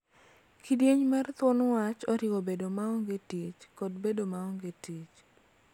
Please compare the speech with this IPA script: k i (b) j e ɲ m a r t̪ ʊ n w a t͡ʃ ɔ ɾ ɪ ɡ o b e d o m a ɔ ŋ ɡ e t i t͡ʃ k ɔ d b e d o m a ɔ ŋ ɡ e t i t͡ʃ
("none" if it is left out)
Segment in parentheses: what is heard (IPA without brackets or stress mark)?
d